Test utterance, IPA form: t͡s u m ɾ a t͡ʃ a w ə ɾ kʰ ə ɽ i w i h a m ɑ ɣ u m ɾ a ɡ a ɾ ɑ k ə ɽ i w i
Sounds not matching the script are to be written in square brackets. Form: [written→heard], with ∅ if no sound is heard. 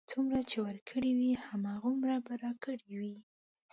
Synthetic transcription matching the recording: t͡s u m ɾ a t͡ʃ [a→e] w ə ɾ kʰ ə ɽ i w i h a m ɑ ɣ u m ɾ a [ɡ→b] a ɾ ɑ k ə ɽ i w i